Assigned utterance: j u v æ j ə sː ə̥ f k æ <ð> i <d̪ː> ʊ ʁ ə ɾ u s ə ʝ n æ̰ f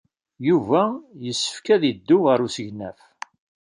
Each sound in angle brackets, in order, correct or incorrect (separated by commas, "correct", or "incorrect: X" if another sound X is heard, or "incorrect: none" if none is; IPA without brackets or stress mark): correct, correct